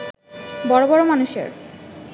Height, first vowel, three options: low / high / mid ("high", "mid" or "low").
mid